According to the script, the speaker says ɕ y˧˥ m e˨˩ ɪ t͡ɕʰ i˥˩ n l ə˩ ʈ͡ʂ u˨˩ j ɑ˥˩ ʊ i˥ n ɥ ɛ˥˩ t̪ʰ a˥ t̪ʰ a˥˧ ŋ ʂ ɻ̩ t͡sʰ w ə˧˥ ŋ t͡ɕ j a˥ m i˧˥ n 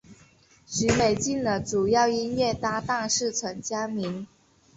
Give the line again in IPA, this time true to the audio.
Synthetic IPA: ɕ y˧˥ m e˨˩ ɪ t͡ɕ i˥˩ n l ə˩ ʈ͡ʂ u˨˩ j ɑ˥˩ ʊ i˥ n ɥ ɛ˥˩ t̪ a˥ t̪ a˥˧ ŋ ʂ ɻ̩ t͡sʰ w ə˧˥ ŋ t͡ɕ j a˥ m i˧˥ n